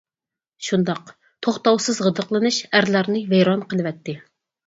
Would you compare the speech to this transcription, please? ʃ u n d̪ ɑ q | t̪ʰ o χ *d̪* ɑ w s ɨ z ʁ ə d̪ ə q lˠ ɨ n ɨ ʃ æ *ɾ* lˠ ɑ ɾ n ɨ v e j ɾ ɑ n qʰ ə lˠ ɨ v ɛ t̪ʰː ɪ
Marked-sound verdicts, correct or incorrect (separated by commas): incorrect, correct